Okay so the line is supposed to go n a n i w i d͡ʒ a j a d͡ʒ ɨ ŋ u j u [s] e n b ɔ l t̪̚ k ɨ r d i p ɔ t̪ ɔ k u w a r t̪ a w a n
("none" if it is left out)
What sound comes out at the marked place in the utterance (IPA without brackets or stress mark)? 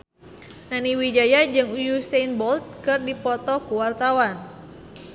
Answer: s